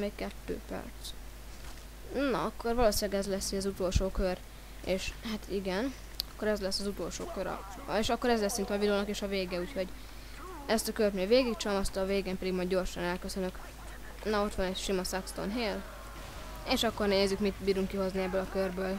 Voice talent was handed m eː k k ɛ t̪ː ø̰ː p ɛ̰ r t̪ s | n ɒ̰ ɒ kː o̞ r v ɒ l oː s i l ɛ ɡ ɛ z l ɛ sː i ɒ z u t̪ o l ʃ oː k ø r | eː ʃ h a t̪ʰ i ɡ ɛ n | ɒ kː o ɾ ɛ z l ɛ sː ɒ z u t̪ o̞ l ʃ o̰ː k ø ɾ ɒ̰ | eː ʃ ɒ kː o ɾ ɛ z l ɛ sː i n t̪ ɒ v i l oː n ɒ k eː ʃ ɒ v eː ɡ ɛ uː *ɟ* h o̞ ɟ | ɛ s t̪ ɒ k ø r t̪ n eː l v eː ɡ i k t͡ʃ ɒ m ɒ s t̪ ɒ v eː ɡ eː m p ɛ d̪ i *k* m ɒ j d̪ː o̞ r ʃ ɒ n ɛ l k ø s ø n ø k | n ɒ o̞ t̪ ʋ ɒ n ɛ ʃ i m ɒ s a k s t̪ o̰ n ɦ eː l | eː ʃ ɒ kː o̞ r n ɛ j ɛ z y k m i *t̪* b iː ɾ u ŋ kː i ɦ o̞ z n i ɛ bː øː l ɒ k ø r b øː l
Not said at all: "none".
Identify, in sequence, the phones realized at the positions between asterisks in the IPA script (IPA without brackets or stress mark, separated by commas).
c, ɡ, t̪